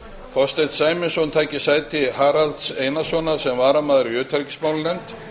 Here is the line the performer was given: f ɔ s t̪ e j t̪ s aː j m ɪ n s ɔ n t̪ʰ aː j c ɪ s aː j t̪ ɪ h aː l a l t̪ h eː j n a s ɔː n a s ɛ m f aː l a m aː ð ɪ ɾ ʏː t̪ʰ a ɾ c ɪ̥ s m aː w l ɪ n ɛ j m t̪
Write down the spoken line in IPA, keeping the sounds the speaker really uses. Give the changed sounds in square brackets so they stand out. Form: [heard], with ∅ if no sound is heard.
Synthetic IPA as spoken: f ɔ s t̪ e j t̪ s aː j m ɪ n s ɔ n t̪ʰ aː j c ɪ s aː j t̪ ɪ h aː [ɾ] a l t̪ [s] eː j n a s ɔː n a s ɛ m [v] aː [ɾ] a m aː ð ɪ ɾ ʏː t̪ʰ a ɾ c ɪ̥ s m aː w l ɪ n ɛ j m t̪